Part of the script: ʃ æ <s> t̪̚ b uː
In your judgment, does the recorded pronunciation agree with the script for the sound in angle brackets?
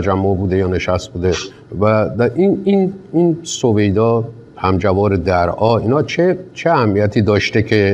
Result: yes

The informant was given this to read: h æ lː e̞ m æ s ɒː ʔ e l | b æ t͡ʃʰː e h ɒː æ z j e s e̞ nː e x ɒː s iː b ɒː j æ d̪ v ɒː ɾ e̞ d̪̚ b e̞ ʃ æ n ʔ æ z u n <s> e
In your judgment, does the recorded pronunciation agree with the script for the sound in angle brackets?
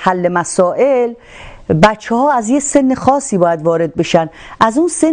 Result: yes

